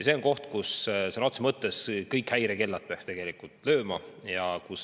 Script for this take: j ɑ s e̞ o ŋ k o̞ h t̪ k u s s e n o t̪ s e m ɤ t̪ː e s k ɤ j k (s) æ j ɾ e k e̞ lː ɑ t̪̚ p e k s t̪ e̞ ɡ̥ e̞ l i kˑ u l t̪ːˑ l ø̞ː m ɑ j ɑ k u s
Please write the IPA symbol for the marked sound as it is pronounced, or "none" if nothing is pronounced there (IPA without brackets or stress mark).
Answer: h